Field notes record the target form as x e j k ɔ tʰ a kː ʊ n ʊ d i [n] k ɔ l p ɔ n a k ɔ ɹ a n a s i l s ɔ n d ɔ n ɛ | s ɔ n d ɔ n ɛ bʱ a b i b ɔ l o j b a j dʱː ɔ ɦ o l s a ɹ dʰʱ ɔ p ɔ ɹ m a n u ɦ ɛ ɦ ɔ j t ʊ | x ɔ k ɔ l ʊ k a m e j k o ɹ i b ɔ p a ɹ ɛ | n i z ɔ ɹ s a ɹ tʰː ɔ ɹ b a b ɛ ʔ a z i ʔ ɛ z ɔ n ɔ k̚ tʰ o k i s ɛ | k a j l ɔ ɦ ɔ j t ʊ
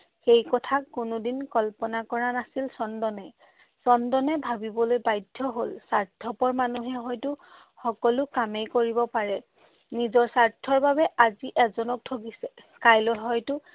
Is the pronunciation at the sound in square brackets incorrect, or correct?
correct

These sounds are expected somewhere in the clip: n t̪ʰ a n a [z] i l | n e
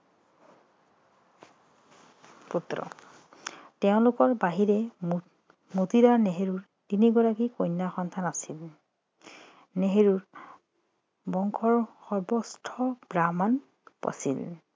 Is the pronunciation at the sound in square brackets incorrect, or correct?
incorrect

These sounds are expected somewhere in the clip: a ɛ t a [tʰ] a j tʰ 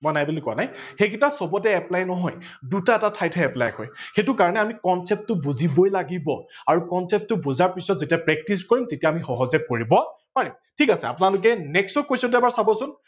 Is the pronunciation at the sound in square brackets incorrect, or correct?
correct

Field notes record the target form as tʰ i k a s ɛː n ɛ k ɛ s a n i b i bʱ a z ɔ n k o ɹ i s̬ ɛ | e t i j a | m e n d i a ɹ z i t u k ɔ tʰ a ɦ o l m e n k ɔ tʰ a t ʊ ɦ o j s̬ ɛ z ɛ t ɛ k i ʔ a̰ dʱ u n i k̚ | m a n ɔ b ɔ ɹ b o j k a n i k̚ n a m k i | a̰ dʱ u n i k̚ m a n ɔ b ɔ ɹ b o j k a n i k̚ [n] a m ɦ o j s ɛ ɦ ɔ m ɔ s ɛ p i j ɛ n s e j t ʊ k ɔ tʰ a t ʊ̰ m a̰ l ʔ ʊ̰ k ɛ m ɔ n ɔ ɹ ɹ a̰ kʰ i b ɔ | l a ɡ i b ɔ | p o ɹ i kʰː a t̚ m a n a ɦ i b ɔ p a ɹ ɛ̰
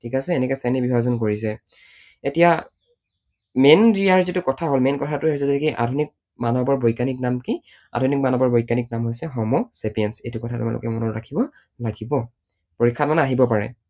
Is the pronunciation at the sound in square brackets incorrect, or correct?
correct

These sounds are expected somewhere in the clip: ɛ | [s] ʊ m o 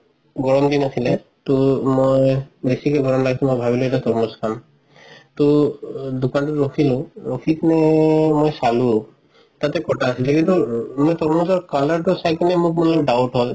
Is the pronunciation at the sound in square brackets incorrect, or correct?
incorrect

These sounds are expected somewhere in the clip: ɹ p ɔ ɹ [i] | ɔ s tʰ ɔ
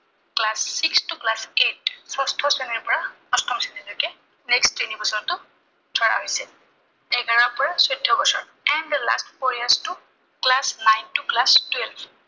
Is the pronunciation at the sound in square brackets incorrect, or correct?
incorrect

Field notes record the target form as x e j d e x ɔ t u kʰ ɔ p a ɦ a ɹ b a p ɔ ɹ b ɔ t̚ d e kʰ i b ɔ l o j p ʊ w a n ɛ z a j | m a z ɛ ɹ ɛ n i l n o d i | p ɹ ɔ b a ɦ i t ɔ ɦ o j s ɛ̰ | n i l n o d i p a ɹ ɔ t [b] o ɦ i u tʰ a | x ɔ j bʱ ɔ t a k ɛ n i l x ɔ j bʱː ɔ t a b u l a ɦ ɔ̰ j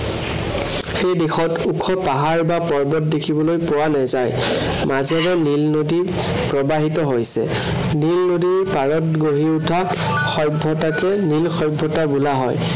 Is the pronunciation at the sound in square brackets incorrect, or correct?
incorrect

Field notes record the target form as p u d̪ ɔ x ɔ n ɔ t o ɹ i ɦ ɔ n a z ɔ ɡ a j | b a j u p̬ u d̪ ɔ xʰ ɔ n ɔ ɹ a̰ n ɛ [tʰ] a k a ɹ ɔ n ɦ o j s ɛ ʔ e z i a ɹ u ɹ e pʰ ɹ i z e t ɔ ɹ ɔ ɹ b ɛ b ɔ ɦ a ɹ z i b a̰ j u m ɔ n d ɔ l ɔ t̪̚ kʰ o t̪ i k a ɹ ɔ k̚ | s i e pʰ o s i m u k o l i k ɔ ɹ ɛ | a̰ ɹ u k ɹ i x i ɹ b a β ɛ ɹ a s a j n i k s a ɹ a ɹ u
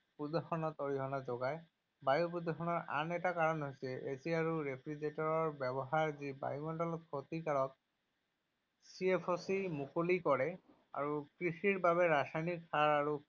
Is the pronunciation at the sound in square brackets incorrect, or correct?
incorrect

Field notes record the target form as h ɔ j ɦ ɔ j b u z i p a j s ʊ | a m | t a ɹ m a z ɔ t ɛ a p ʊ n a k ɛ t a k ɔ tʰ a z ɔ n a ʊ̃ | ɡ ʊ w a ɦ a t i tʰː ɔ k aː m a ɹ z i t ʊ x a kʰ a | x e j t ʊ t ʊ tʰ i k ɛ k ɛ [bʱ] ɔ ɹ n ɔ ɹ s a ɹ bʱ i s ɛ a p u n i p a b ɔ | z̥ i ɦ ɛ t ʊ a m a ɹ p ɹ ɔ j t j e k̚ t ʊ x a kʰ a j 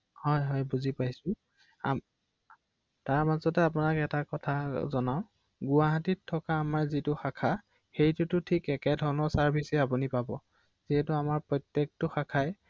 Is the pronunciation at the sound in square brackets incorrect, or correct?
incorrect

